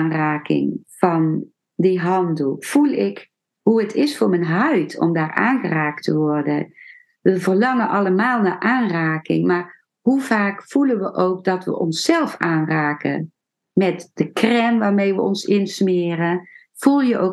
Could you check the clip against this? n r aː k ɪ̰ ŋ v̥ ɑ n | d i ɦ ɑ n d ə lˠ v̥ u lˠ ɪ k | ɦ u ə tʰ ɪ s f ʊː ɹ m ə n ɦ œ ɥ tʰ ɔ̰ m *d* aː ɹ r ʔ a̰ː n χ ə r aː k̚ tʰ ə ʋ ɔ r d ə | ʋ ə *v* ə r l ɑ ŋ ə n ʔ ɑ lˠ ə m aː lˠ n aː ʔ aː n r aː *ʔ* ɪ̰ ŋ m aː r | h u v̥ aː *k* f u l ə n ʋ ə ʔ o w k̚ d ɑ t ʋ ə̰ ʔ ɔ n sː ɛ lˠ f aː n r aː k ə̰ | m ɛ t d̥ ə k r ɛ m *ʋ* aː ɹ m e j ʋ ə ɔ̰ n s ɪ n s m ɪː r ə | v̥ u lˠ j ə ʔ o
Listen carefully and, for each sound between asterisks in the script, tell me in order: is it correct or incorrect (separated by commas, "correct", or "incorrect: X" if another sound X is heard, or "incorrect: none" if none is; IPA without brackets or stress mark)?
correct, correct, incorrect: k, correct, correct